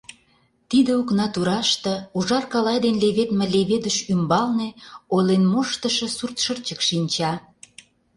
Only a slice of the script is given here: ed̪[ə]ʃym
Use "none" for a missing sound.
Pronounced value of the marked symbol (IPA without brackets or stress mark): ə